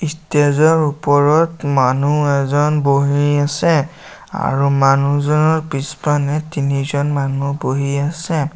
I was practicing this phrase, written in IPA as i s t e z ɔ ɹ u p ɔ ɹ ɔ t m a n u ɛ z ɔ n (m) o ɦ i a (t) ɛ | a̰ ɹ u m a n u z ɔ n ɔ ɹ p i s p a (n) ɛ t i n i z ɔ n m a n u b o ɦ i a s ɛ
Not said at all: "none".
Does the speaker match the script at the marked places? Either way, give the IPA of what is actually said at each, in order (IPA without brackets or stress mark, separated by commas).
b, s, n